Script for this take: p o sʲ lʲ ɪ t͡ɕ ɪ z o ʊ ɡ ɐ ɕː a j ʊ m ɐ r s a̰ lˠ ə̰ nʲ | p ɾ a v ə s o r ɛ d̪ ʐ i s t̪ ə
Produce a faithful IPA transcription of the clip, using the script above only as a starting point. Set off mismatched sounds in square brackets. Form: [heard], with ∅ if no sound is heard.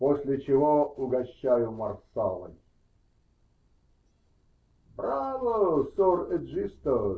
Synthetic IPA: p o sʲ lʲ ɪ t͡ɕ ɪ [v] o ʊ ɡ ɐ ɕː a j ʊ m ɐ r s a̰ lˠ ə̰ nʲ | [b] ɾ a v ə s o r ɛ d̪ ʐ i s t̪ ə